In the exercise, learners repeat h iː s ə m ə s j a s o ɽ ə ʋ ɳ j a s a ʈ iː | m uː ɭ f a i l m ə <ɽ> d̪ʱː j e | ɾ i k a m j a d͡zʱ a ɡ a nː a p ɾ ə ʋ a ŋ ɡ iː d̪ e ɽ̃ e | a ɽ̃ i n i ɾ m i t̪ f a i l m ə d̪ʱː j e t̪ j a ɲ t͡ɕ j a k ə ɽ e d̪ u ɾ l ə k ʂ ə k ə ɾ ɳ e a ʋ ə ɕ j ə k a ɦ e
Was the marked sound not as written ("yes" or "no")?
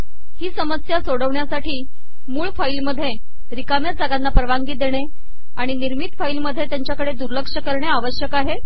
yes